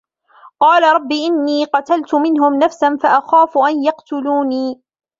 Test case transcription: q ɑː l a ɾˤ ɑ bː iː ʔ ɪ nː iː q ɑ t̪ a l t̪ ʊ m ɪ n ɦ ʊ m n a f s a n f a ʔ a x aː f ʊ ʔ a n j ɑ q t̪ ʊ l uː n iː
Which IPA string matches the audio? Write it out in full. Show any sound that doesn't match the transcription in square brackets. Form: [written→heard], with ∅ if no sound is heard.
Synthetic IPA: q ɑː l a ɾˤ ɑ bː iː ʔ ɪ nː iː q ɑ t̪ a l t̪ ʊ m ɪ n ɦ ʊ m n a f s a n f a ʔ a x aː f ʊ ʔ a n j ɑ q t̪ ʊ l uː n iː